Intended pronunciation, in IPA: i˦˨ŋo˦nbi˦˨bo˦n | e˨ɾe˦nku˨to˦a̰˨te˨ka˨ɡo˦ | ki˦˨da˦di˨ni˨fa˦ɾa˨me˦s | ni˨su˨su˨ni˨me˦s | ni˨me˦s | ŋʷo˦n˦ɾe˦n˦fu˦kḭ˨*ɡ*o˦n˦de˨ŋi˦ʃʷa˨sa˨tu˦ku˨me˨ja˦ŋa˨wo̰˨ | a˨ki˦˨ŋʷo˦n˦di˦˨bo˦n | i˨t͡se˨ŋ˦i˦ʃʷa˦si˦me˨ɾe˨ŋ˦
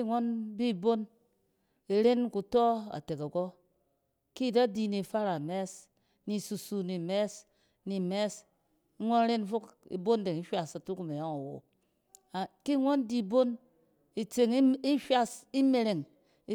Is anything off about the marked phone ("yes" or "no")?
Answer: yes